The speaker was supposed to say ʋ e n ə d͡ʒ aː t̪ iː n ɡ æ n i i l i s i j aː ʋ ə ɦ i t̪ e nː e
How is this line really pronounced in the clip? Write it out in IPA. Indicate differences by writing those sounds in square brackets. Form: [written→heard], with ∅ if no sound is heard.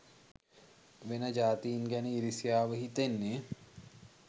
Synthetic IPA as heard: ʋ e n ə d͡ʒ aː t̪ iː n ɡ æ n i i [l→ɾ] i s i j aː ʋ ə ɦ i t̪ e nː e